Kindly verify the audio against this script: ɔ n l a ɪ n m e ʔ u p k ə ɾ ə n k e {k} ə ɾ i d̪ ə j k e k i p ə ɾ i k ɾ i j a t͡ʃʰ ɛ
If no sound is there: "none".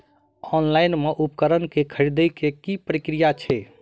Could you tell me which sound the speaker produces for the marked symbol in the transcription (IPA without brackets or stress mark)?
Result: kʰ